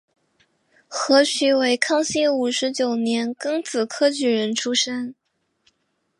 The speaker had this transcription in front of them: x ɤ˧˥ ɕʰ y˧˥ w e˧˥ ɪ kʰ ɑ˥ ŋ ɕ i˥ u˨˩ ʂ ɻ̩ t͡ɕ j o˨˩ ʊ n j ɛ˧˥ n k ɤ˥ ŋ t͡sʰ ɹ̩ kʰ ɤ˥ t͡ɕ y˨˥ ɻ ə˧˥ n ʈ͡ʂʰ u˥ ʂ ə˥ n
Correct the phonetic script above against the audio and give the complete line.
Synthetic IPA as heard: x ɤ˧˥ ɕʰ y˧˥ w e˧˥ ɪ kʰ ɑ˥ ŋ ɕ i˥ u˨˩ ʂ ɻ̩ t͡ɕ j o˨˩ ʊ n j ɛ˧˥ n k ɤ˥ ŋ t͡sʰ ɹ̩ kʰ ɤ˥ t͡ɕ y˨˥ ɻ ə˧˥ n ʈ͡ʂʰ u˥ ʂ ə˥ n